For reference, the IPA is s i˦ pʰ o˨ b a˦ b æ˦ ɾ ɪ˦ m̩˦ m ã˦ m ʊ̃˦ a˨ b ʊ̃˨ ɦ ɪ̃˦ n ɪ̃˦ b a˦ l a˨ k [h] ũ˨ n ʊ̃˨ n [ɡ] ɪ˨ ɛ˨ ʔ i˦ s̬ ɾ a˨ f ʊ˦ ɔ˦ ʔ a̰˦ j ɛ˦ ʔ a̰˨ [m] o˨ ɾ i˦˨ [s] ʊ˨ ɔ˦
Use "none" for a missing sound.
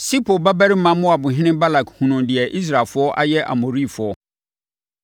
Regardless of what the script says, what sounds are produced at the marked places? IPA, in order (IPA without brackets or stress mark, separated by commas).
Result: h, d, m, f